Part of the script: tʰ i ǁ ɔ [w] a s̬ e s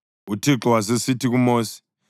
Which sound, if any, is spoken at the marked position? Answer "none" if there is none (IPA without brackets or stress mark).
w